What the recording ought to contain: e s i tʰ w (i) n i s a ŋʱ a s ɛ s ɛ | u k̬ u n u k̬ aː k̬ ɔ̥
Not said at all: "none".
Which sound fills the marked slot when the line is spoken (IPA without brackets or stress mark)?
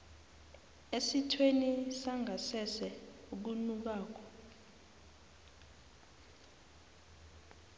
e